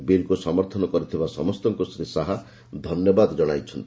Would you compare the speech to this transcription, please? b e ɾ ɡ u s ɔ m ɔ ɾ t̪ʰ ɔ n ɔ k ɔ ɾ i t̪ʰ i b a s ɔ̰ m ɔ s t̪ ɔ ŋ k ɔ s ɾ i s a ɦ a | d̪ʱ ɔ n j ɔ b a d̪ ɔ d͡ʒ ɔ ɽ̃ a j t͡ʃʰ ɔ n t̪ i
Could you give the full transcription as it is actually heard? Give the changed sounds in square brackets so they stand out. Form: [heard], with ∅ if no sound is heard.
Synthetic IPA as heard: b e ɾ [k] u s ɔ m ɔ ɾ t̪ʰ ɔ n ɔ k ɔ ɾ i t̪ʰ i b a s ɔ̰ m ɔ s t̪ ɔ ŋ k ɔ s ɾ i s a ɦ a | d̪ʱ ɔ n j ɔ b a d̪ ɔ d͡ʒ ɔ ɽ̃ a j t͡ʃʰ ɔ n t̪ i